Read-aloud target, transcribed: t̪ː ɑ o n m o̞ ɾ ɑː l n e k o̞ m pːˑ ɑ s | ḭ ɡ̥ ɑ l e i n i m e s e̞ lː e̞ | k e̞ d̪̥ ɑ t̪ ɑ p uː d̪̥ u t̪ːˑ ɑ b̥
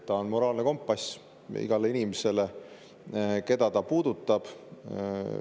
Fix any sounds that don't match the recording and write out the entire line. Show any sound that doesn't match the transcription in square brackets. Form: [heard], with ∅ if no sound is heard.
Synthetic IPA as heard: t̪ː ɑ o n m o̞ ɾ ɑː l n e k o̞ m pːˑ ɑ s | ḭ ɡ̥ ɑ l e i n i m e s e̞ [l] e̞ | k e̞ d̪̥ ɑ t̪ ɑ p uː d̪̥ u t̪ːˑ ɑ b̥

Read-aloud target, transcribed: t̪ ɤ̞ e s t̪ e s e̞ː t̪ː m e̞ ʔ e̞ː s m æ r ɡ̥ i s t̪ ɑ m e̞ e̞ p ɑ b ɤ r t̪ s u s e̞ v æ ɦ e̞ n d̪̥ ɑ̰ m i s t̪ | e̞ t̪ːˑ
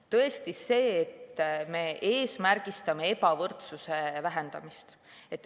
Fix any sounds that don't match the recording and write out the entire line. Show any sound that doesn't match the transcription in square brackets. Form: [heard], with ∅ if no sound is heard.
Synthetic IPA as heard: t̪ ɤ̞ e s t̪ [i] s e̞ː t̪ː m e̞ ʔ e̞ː s m æ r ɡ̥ i s t̪ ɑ m e̞ e̞ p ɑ [v] ɤ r t̪ s u s e̞ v æ ɦ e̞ n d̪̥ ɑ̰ m i s t̪ | e̞ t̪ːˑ

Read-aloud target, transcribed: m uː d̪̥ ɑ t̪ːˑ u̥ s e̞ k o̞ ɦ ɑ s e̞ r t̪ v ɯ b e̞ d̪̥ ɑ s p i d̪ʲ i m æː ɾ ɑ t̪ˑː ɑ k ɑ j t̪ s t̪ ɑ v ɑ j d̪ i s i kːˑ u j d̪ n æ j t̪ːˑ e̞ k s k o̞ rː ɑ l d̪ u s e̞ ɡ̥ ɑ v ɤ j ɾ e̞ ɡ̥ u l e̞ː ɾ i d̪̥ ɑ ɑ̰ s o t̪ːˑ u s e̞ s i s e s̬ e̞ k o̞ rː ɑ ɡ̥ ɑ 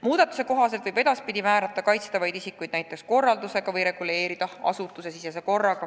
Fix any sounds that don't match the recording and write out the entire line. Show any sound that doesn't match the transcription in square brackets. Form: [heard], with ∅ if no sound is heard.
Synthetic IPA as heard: m uː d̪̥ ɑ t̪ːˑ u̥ s e̞ k o̞ ɦ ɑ s e̞ [l] t̪ v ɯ b e̞ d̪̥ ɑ s p i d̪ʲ i m æː ɾ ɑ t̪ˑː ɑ k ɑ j t̪ s t̪ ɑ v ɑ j d̪ i s i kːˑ u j d̪ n æ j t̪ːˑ e̞ k s k o̞ rː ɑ l d̪ u s e̞ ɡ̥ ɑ v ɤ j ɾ e̞ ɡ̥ u l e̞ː ɾ i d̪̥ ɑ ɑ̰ s [u] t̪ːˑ u s e̞ s i s e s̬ e̞ k o̞ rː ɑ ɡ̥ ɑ

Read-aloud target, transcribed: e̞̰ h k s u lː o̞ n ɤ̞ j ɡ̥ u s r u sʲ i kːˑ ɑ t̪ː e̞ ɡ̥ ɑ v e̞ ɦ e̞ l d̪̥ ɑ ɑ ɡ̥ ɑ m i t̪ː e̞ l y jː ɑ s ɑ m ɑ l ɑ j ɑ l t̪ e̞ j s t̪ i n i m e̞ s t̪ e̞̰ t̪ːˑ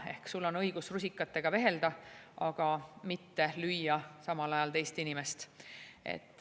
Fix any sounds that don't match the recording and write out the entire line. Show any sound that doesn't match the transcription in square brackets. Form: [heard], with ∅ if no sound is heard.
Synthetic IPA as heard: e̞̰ h k s u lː o̞ n ɤ̞ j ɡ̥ u s r u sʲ i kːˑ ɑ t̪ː e̞ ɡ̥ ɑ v e̞ ɦ e̞ l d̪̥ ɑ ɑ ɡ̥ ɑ m i t̪ː e̞ l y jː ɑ s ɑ m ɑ l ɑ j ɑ l t̪ e̞ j s t̪ i n i m e̞ s t̪ e̞̰ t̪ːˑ

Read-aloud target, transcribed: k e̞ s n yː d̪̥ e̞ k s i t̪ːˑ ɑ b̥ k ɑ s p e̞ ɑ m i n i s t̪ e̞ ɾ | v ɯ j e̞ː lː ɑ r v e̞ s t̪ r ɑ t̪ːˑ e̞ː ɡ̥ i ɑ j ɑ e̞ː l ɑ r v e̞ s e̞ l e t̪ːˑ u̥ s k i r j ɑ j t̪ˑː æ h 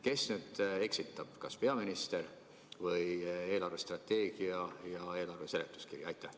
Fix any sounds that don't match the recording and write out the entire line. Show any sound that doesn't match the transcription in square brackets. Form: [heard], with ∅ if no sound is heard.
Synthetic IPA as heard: k e̞ s n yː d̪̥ e̞ k s i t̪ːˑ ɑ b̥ k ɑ s p e̞ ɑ m i n i s t̪ e̞ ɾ | v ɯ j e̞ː [l] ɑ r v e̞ s t̪ r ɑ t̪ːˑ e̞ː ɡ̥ i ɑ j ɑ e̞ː l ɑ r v e̞ s e̞ l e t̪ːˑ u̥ s k i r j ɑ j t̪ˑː æ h

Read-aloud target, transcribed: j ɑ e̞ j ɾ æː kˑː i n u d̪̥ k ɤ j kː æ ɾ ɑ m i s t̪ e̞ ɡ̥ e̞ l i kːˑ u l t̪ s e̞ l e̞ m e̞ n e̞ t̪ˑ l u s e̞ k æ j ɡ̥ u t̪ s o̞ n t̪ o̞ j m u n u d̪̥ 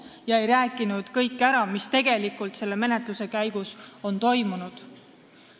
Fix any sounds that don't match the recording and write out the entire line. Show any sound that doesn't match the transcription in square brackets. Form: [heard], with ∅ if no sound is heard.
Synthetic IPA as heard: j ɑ e̞ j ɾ æː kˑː i n u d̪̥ k ɤ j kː æ ɾ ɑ m i s t̪ e̞ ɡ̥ e̞ l i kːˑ u l t̪ s e̞ [lː] e̞ m e̞ n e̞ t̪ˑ l u s e̞ k æ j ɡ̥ u [∅] s o̞ n t̪ o̞ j m u n u d̪̥

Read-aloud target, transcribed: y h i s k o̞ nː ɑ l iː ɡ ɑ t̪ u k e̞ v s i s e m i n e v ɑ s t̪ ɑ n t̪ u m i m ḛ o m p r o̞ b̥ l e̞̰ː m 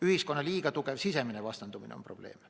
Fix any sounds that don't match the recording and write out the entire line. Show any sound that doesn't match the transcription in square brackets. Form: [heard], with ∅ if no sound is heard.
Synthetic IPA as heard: y h i s k o̞ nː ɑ l iː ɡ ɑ t̪ u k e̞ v s i s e m i n e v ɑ s t̪ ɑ n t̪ u m i [n] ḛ o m p r o̞ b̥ l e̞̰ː m

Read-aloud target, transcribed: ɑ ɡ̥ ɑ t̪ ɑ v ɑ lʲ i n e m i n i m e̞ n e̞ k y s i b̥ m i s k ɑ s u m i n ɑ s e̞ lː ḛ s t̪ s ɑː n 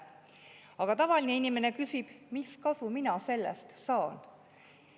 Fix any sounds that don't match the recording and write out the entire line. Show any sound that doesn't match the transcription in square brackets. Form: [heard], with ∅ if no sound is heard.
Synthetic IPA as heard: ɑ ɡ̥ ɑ t̪ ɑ v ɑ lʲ i n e [∅] i n i m e̞ n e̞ k y s i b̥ m i s k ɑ s u m i n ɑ s e̞ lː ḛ s t̪ s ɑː n

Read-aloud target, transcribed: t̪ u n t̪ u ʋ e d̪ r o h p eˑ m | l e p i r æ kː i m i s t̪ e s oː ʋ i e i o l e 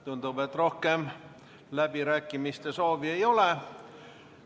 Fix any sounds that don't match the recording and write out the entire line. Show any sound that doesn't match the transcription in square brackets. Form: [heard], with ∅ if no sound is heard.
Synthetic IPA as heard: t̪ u n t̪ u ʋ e [t̪] r o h [k] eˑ m | l [æ] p i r æ kː i m i s t̪ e s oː ʋ i e i o l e

